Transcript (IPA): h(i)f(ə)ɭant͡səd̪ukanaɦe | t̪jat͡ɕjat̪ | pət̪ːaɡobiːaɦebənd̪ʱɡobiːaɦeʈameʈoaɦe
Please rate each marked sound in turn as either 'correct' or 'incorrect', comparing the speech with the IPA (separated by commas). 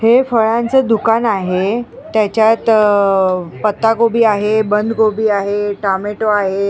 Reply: incorrect, correct